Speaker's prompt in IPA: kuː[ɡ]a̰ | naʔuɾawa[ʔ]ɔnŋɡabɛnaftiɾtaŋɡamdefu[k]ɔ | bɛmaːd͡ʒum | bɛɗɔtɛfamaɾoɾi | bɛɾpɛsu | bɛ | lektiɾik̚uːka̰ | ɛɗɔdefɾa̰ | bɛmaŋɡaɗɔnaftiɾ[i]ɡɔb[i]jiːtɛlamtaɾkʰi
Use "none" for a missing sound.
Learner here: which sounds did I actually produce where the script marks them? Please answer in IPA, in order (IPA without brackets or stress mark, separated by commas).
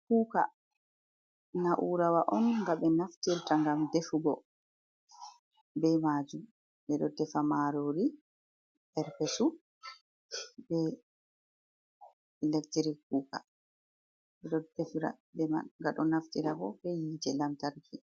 k, ʔ, ɡ, a, ɛ